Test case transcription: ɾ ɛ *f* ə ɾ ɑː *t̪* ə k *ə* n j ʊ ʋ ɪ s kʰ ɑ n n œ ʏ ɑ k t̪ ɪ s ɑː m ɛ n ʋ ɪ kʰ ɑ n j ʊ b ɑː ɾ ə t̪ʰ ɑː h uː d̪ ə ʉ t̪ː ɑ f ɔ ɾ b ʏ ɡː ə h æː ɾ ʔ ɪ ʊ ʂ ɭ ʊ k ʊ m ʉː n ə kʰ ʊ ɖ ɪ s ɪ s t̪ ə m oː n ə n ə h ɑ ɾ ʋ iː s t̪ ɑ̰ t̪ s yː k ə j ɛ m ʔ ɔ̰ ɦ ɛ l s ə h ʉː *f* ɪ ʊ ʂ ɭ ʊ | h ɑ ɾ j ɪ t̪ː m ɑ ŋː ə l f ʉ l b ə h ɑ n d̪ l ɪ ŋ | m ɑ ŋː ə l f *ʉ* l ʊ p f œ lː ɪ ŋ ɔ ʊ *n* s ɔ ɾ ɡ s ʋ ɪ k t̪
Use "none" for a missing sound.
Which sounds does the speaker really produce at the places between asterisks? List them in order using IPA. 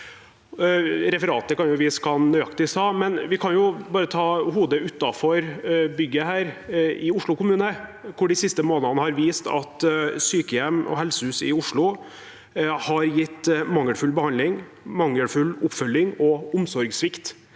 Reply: f, t̪, ɑ, s, ʉ, m

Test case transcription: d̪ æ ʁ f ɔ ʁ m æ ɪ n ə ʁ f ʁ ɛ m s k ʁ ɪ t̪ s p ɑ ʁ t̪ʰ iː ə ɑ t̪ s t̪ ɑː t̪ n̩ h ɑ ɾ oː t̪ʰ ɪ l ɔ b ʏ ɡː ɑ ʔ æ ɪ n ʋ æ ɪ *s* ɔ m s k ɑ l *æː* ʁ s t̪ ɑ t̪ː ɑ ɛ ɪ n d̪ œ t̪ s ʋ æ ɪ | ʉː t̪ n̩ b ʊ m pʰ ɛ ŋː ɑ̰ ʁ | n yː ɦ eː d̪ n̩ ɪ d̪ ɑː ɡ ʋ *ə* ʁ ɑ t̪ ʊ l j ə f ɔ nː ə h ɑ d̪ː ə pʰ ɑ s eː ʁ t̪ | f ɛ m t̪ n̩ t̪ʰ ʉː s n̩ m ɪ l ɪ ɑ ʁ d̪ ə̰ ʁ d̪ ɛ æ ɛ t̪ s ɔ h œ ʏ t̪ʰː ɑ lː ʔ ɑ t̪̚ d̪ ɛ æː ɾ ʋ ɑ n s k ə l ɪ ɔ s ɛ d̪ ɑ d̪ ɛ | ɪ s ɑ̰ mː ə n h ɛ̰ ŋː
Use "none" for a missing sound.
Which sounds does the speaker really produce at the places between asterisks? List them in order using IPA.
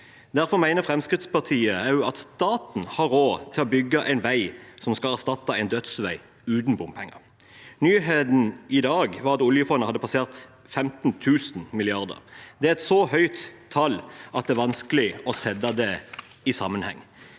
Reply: s, æ, ɑ

